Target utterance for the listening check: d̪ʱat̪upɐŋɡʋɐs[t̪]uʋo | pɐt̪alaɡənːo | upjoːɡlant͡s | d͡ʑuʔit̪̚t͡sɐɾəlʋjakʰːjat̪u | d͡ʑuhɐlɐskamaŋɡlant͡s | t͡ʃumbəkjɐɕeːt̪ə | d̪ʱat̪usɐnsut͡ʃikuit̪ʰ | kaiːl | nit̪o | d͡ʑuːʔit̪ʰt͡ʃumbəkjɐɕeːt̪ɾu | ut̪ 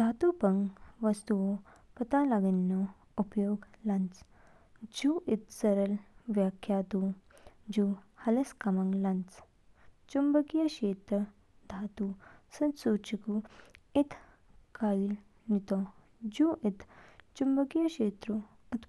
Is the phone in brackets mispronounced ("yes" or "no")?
no